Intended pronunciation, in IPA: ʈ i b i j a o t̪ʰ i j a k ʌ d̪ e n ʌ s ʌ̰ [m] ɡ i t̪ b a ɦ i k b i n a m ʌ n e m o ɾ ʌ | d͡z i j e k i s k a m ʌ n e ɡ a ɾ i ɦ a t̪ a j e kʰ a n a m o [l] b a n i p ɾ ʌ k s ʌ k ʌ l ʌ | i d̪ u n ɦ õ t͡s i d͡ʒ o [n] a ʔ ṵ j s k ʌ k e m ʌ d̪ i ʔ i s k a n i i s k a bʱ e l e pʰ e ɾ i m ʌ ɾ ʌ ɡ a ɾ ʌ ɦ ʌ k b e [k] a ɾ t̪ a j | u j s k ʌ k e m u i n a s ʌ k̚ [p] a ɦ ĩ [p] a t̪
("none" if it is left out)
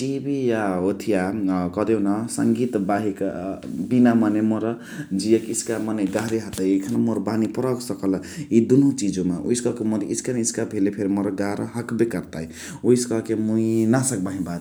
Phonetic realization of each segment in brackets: ŋ, ɾ, m, k, b, b

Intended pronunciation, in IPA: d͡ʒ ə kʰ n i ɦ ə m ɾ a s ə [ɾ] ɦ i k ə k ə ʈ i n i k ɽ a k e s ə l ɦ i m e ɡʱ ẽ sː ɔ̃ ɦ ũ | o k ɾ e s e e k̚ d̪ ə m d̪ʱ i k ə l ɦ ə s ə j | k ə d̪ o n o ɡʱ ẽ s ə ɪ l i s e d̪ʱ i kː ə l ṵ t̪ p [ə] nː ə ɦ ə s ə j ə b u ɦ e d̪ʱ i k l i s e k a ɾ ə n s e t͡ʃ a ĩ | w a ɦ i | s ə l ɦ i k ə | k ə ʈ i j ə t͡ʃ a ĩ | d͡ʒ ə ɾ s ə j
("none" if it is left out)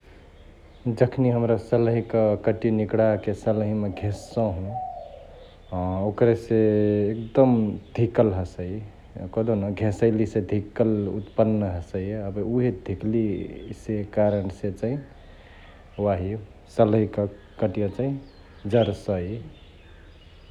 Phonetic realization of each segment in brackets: l, ə

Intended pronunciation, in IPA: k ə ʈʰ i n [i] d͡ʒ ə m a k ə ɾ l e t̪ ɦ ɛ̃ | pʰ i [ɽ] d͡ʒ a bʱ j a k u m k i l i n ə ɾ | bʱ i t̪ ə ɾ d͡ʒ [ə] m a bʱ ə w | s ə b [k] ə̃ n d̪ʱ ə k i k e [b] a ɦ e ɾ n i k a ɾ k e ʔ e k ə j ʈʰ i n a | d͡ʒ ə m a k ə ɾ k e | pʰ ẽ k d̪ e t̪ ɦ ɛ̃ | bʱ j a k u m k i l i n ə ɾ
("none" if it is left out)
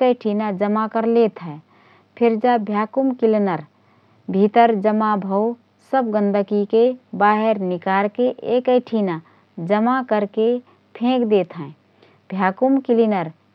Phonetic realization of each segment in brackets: a, ɾ, ə, ɡ, b

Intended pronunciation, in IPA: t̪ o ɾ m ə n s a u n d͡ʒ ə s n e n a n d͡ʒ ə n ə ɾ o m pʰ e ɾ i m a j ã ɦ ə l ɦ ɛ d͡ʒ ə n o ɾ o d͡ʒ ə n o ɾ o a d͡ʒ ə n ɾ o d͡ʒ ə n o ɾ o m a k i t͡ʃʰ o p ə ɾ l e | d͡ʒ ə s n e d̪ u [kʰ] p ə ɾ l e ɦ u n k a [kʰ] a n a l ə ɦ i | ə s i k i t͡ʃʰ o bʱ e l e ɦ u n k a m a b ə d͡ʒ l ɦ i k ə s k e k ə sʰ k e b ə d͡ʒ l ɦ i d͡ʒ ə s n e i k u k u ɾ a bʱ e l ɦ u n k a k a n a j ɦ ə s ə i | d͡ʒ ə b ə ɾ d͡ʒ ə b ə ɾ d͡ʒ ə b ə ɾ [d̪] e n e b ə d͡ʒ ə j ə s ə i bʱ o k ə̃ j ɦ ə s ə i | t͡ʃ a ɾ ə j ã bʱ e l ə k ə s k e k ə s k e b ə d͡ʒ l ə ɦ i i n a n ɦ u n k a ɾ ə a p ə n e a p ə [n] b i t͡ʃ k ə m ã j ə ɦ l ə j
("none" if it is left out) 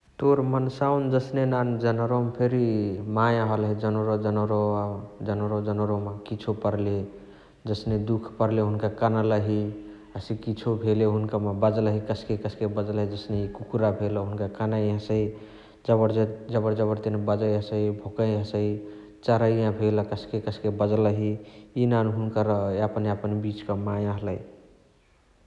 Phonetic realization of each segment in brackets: kʰ, k, t̪, n

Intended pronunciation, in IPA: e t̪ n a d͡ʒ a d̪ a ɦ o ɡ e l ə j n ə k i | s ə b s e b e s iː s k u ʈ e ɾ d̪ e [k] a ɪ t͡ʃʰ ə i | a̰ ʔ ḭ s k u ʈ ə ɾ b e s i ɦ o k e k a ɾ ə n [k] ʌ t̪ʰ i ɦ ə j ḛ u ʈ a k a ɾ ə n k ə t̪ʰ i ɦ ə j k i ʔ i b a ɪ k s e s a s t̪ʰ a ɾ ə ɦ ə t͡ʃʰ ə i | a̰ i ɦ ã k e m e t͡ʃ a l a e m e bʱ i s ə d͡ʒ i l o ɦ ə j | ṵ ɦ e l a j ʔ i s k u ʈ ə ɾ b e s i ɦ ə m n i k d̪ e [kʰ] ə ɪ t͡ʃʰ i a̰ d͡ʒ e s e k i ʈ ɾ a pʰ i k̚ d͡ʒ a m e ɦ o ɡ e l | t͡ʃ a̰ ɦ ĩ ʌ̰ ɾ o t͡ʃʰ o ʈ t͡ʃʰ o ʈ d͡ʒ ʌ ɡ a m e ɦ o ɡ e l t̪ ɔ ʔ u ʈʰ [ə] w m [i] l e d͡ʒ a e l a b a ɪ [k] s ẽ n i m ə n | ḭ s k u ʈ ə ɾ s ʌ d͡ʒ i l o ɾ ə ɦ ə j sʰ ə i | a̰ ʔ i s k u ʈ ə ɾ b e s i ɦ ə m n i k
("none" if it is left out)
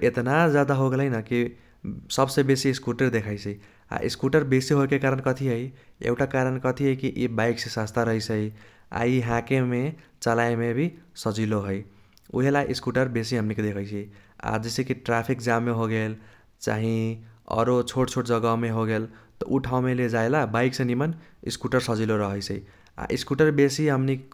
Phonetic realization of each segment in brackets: kʰ, k, kʰ, a, e, k

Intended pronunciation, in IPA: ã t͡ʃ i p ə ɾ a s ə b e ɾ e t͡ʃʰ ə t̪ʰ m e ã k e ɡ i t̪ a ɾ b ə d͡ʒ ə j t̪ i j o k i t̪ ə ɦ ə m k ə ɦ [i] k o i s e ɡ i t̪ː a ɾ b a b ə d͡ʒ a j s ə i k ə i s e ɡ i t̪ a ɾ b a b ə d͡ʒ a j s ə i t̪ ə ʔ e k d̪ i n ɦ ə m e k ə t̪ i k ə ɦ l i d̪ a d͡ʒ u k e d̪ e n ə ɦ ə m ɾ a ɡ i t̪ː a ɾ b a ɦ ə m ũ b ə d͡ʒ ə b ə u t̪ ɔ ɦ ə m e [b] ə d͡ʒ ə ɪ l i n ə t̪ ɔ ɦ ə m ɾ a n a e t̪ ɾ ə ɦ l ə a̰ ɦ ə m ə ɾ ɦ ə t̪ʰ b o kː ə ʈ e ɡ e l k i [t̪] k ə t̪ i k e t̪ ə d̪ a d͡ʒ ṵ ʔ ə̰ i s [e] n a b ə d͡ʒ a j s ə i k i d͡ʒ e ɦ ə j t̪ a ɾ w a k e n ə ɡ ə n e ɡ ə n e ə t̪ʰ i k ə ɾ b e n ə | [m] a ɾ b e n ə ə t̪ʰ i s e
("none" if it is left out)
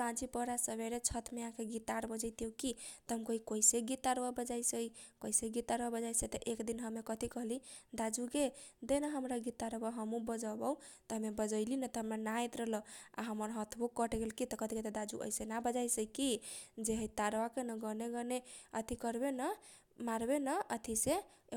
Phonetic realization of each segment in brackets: i, b, t̪, e, m

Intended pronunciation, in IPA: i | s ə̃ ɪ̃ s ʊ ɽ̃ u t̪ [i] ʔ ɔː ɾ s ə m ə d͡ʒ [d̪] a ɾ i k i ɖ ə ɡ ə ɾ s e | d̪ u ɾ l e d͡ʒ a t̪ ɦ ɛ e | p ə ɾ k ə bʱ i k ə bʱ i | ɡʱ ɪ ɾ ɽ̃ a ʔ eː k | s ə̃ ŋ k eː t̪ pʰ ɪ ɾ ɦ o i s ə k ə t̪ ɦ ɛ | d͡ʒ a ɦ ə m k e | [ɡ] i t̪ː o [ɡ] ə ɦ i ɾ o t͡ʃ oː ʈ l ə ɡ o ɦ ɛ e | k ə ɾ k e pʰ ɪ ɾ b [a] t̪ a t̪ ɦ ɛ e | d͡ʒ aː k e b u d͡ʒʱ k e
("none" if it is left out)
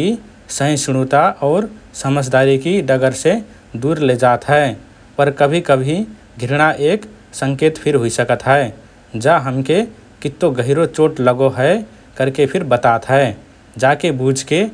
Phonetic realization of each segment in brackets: a, d̪, k, ɡ, ə

